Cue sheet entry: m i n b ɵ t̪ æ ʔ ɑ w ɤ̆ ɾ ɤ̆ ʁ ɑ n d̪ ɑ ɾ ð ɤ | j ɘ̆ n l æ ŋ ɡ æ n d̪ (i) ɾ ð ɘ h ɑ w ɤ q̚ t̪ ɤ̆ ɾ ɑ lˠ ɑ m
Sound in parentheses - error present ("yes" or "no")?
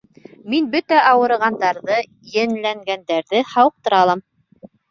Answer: yes